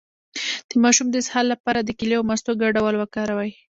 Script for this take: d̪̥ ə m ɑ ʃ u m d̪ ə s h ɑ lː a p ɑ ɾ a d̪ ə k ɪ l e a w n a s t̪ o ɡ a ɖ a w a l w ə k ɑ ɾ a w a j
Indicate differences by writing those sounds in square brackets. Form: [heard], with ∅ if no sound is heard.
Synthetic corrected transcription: d̪̥ ə m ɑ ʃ u m d̪ ə s h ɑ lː a p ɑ ɾ a d̪ ə k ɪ l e a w [m] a s t̪ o ɡ a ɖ a w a l w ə k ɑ ɾ a w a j